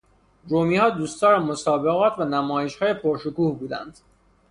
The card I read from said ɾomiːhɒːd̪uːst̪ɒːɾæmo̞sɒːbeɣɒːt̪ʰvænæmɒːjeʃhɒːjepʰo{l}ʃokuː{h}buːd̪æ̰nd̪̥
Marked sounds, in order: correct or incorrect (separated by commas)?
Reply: incorrect, correct